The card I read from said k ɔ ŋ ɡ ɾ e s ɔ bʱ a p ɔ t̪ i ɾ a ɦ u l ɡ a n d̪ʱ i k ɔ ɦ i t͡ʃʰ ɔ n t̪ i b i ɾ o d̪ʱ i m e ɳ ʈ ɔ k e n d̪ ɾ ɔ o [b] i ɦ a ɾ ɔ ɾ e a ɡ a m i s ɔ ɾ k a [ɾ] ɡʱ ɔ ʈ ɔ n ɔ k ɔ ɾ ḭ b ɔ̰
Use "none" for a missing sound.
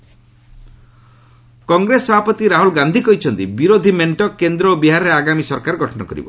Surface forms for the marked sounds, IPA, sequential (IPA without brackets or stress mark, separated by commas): b, ɾ